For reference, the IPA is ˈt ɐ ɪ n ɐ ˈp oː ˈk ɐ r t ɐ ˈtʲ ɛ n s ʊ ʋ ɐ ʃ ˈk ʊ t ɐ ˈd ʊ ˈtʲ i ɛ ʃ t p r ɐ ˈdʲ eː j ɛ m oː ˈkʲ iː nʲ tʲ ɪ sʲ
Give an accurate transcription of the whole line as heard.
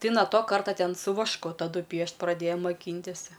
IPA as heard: ˈt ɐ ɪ n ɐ ˈt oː ˈk ɐ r t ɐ ˈtʲ ɛ n s ʊ ʋ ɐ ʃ ˈk ʊ t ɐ ˈd ʊ ˈpʲ i ɛ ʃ t p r ɐ ˈdʲ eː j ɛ m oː ˈkʲ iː nʲ tʲ ɪ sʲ